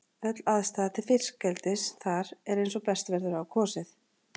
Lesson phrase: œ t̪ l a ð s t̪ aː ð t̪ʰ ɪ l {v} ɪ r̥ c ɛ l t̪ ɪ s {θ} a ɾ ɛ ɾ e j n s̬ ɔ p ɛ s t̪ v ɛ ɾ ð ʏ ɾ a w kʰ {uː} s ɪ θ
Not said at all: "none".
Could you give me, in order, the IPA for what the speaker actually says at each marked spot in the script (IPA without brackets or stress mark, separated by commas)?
f, θ, ɔː